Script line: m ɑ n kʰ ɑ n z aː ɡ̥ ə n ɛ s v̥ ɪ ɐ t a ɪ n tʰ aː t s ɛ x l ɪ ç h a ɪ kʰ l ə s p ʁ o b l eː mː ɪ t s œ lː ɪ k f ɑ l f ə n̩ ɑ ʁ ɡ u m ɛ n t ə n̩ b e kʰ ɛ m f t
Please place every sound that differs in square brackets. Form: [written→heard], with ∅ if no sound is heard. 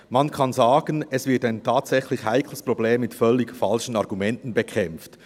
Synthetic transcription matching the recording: m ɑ n kʰ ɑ n z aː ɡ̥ ə n ɛ s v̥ ɪ ɐ t a ɪ n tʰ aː t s ɛ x l ɪ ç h a ɪ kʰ l ə s p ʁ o b l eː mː ɪ t [s→f] œ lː ɪ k f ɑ l [f→ʃ] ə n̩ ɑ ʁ ɡ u m ɛ n t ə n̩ b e kʰ ɛ m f t